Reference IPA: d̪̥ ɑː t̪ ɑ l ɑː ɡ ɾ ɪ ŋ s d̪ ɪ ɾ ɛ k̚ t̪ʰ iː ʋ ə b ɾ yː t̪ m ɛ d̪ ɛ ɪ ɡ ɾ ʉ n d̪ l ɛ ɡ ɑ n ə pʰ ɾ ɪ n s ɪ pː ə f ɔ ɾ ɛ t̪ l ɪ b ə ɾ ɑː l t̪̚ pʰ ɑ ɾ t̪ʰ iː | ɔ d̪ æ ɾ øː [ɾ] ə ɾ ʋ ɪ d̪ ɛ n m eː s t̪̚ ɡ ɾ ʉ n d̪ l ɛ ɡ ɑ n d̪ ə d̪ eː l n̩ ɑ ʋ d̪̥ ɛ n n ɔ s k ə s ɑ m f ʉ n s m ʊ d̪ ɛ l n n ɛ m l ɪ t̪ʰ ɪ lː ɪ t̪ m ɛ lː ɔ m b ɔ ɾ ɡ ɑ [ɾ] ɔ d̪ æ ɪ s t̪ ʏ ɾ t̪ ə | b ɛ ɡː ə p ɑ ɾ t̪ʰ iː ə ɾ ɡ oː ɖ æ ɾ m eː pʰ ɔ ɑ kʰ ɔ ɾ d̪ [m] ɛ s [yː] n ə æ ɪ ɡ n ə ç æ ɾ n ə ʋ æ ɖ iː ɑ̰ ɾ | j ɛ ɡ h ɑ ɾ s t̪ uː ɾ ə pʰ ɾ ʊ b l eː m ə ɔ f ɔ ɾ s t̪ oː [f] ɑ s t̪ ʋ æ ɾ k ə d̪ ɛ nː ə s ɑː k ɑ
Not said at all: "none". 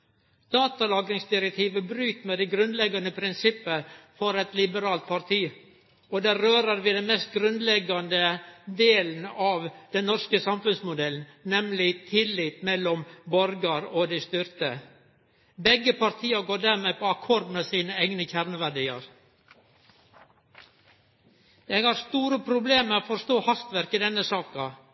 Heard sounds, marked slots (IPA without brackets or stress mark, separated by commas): ɾ, ɾ, m, iː, h